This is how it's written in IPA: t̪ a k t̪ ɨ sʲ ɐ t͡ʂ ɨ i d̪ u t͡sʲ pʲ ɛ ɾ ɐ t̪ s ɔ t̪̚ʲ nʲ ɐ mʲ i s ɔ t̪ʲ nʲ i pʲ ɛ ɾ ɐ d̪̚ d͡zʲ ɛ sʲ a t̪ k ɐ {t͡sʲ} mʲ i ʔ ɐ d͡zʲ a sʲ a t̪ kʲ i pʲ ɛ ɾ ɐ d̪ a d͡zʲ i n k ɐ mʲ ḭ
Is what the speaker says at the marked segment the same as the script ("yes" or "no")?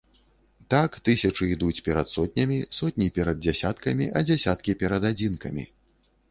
no